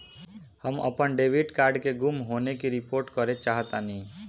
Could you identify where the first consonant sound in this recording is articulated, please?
glottal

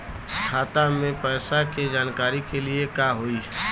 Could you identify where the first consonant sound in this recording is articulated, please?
velar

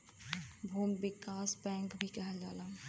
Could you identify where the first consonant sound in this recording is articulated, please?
labial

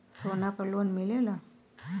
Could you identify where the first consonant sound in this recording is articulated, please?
alveolar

